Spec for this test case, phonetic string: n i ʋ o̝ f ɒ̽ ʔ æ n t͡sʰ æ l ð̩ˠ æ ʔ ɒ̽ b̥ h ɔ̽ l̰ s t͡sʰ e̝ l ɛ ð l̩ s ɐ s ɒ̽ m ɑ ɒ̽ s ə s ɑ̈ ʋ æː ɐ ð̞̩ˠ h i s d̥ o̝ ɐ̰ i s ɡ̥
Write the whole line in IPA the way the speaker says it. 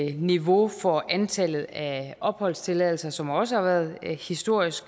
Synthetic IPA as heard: n i ʋ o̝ f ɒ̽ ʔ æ n t͡sʰ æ l ð̩ˠ æ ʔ ɒ̽ b̥ h ɒ̽ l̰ s t͡sʰ e̝ l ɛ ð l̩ s ɐ s ɒ̽ m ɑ ɒ̽ s ə h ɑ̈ ʋ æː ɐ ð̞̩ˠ h i s d̥ o̝ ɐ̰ i s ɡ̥